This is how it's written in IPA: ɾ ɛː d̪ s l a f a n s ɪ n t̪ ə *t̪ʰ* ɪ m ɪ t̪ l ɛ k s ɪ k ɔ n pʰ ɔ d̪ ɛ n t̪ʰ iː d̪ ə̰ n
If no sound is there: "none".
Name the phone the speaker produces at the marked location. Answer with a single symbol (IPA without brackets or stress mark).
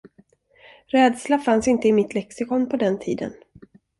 none